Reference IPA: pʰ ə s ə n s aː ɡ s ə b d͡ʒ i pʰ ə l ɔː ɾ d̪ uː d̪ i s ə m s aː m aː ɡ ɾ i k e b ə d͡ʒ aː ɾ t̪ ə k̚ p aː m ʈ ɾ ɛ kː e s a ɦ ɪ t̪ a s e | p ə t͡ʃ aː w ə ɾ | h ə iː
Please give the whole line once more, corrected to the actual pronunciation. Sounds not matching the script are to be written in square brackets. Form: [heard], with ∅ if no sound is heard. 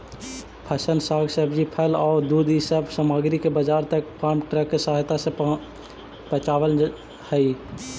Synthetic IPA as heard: pʰ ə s ə n s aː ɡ s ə b d͡ʒ i pʰ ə l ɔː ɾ d̪ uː d̪ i s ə [b] s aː m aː ɡ ɾ i k e b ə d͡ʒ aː ɾ t̪ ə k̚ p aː m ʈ ɾ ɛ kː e s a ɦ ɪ t̪ a s e | p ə t͡ʃ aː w ə [l] | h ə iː